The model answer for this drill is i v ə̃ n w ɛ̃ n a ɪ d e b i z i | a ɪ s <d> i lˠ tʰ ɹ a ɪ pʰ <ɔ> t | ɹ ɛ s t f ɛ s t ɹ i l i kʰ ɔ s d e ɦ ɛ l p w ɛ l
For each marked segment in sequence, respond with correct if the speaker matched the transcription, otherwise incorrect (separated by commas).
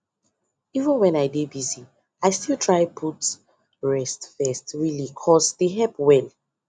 incorrect, incorrect